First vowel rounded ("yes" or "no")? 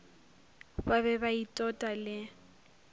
no